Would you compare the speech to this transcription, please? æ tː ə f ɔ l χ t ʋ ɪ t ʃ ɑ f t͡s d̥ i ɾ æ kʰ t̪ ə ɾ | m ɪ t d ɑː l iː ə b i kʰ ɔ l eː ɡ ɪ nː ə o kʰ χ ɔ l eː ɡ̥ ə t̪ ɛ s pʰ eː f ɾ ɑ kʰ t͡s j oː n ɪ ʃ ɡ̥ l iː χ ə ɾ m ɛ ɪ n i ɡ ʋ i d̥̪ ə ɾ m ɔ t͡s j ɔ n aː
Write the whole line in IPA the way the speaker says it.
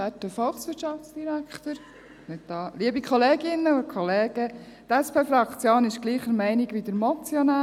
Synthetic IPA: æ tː ə f ɔ l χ s ʋ ɪ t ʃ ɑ f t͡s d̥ i ɾ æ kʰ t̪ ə ɾ | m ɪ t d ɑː l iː ə b i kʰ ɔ l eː ɡ ɪ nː ə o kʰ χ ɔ l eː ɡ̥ ə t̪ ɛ s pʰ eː f ɾ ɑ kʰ t͡s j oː n ɪ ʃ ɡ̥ l iː χ ə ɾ m ɛ ɪ n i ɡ ʋ i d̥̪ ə ɾ m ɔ t͡s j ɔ n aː

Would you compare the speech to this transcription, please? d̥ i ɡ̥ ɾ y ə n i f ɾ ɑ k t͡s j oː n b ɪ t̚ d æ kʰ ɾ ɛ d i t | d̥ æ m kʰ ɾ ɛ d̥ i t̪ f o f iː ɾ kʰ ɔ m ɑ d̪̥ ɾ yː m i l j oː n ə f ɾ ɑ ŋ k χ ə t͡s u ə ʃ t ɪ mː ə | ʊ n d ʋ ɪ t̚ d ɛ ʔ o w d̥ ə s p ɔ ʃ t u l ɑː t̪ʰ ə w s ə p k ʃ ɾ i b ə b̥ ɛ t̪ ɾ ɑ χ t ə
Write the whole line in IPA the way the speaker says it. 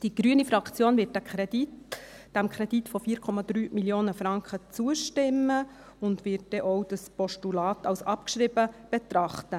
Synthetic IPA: d̥ i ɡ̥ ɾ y ə n i f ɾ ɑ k t͡s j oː n v ɪ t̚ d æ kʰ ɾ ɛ d i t | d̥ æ m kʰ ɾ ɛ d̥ i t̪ f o f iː ɾ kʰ ɔ m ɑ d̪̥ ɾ yː m i l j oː n ə f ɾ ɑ ŋ k χ ə t͡s u ə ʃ t ɪ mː ə | ʊ n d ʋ ɪ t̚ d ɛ ʔ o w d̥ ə s p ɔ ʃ t u l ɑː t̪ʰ ɑ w s ɑ p k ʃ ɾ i b ə b̥ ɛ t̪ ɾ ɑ χ t ə

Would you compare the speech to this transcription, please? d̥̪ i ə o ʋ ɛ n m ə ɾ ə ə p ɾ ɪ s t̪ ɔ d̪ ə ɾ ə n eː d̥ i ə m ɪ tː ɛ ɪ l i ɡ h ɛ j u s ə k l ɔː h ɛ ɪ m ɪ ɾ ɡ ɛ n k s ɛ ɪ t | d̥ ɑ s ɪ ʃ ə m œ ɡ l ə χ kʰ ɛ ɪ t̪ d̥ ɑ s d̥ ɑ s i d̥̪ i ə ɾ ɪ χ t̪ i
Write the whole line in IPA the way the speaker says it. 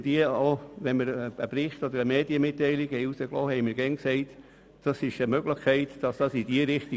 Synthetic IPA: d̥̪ i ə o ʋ ɛ n m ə ɾ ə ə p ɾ ɪ χ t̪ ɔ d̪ ə ɾ ə m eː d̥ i ə m ɪ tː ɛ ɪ l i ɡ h ɛ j u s ə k l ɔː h ɛ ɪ m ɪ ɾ ɡ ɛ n k s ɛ ɪ t | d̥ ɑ s ɪ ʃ ə m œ ɡ l ə χ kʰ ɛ ɪ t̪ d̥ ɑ s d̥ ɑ s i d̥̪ i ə ɾ ɪ χ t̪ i

